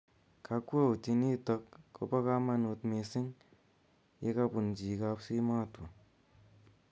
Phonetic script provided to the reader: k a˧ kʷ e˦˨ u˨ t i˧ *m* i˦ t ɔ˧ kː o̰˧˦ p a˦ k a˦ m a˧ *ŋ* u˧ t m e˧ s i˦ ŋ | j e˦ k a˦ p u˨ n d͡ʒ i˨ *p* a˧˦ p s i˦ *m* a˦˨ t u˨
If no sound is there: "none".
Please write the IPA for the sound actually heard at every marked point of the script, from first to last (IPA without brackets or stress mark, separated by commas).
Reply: n, n, k, m